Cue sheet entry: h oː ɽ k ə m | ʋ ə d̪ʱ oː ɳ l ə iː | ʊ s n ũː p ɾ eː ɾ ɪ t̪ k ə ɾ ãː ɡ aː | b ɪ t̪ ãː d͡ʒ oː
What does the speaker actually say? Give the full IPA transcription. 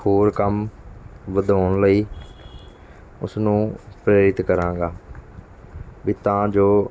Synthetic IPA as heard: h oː ɾ k ə m | ʋ ə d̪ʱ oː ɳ l ə iː | ʊ s n ũː p ɾ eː ɾ ɪ t̪ k ə ɾ ãː ɡ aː | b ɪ t̪ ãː d͡ʒ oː